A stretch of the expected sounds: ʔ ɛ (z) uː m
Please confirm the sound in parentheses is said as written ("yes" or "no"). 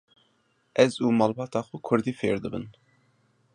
yes